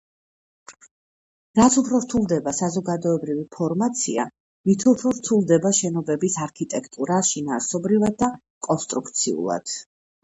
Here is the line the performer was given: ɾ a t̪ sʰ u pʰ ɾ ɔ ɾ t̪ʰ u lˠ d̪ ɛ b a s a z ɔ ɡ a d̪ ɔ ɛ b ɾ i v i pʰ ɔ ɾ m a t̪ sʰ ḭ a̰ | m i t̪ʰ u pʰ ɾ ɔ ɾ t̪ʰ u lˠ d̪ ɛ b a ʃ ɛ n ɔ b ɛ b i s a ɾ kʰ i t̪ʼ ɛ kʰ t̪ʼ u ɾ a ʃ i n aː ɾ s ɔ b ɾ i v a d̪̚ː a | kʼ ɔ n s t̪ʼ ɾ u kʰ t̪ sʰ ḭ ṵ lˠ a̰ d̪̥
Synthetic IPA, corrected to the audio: ɾ a t̪ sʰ u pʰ ɾ ɔ ɾ t̪ʰ u lˠ d̪ ɛ b a s a z ɔ ɡ a d̪ ɔ ɛ b ɾ i v i pʰ ɔ ɾ m a t̪ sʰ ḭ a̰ | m i t̪ʰ u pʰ ɾ ɔ ɾ t̪ʰ u lˠ d̪ ɛ b a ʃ ɛ n ɔ b ɛ b i s a ɾ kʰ i t̪ʼ ɛ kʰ t̪ʼ u ɾ a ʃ i n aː ɾ s ɔ b ɾ i v a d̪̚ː a | kʼ ɔ n s t̪ʼ ɾ u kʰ t̪ sʰ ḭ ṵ lˠ a̰ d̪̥